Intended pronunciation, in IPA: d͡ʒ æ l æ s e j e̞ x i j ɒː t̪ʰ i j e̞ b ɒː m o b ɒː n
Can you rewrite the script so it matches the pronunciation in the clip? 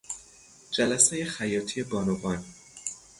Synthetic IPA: d͡ʒ æ l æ s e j e̞ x æ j ɒː t̪ʰ i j e̞ b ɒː n o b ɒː n